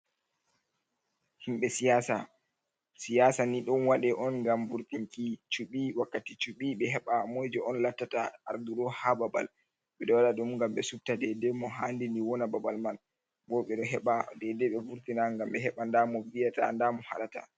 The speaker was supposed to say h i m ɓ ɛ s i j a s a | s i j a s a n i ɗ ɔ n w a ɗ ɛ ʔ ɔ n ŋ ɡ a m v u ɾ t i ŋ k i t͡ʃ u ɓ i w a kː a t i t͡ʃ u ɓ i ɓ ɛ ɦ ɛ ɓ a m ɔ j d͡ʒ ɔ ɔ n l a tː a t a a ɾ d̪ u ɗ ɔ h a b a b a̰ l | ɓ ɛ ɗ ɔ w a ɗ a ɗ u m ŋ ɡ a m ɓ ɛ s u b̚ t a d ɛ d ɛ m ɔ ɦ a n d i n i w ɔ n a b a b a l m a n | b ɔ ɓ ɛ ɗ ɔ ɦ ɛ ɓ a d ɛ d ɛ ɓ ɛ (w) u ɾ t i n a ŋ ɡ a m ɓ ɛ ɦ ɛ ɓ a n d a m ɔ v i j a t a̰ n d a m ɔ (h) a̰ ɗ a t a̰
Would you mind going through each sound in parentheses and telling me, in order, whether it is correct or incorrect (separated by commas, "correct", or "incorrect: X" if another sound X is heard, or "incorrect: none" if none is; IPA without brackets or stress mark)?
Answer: incorrect: v, correct